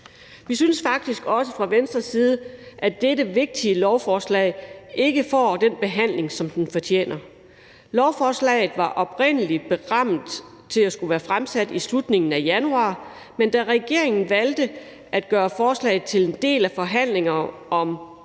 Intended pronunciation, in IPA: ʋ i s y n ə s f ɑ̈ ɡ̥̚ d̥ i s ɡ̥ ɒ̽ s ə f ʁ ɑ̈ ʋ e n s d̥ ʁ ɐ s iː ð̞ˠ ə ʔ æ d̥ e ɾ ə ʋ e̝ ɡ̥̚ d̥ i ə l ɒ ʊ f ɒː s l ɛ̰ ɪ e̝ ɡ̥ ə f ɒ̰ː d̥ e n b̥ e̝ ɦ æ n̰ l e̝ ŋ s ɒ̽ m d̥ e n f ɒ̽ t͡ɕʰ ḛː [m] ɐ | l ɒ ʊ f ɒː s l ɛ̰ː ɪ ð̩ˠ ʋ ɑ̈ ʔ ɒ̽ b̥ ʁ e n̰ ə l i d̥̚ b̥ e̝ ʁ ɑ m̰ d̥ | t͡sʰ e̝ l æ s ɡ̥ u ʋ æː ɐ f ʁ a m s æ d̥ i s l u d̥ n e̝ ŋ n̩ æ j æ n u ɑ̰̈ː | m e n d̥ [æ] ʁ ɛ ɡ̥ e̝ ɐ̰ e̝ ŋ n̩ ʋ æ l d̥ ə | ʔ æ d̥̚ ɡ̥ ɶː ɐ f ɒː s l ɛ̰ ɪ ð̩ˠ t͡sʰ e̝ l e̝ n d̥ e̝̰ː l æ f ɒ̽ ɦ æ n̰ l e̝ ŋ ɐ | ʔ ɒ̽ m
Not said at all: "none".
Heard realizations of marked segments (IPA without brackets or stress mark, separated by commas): n, æ